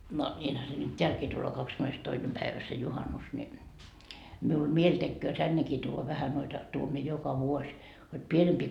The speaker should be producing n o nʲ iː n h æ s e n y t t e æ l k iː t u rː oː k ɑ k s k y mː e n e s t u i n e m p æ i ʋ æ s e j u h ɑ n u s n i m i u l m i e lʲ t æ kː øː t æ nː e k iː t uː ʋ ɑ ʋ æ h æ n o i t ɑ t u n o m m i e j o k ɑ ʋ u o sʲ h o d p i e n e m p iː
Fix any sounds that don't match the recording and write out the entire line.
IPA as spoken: n o nʲ iː n h æ s e n y t t e æ l k iː t u lː oː k ɑ k s k y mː e n e s t o i n e m p æ i ʋ æ s e j u h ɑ n u s n i m i u l m i e lʲ t e kː øː t æ nː e k iː t uː ʋ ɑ ʋ æ h æ n o i t ɑ t u o m m i e j o k ɑ ʋ u o sʲ h o d p i e n e m p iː